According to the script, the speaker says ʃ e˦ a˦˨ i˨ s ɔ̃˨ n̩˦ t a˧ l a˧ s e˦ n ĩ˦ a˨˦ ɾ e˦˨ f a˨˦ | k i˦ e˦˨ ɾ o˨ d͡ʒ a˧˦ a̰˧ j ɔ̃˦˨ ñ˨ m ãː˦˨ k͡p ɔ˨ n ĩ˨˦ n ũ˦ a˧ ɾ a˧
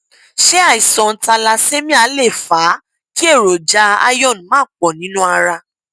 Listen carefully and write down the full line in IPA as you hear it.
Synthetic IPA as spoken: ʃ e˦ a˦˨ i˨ s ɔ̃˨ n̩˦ t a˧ l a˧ s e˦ m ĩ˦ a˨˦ l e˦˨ f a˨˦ | k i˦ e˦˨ ɾ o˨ d͡ʒ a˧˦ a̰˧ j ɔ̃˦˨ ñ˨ m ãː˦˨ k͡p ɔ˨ n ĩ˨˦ n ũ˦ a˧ ɾ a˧